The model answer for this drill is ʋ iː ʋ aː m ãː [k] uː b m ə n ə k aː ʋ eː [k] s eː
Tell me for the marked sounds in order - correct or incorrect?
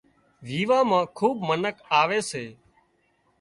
incorrect, incorrect

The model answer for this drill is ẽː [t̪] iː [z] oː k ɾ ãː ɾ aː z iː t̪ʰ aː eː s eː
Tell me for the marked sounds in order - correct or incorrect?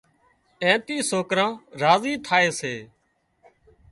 correct, incorrect

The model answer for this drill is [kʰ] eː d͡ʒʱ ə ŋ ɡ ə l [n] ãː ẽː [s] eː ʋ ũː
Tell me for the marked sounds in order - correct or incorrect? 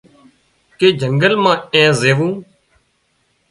incorrect, incorrect, incorrect

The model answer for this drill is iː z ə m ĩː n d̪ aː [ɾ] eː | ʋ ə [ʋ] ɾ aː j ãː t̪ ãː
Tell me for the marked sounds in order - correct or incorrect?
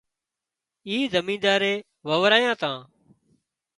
correct, correct

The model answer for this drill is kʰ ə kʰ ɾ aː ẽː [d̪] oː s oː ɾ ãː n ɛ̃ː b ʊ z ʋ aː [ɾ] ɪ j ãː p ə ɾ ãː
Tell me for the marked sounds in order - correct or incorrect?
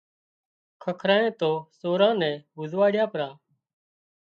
incorrect, incorrect

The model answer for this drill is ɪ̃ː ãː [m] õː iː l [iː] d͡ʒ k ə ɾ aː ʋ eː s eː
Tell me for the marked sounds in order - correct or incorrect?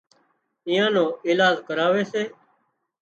incorrect, incorrect

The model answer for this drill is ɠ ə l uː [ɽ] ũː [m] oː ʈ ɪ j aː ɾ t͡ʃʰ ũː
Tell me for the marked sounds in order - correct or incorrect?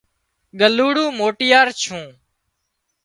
correct, correct

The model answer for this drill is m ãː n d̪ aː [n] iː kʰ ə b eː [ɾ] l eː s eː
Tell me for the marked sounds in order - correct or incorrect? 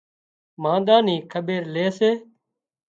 correct, correct

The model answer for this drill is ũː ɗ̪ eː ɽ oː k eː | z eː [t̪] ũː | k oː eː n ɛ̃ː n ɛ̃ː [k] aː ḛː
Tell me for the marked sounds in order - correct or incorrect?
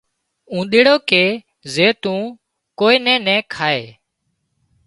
correct, incorrect

